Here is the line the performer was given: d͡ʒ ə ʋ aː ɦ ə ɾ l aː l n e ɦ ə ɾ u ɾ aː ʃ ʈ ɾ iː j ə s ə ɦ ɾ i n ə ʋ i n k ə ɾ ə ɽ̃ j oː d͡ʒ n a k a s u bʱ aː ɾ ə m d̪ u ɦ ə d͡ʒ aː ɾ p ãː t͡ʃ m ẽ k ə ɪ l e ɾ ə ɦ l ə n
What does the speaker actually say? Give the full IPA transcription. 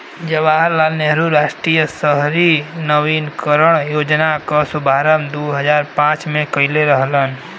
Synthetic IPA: d͡ʒ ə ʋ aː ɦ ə ɾ l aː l n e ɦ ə ɾ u ɾ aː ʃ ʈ ɾ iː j ə s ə ɦ ɾ i n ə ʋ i n k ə ɾ ə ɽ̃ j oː d͡ʒ n a k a s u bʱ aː ɾ ə m d̪ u ɦ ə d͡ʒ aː ɾ p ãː t͡ʃ m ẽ k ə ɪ l e ɾ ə ɦ l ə n